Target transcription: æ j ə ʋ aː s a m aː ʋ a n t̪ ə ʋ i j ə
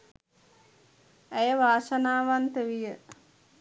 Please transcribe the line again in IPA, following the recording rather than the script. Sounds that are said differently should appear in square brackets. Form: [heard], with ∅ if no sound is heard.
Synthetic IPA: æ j ə ʋ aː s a [n] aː ʋ a n t̪ ə ʋ i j ə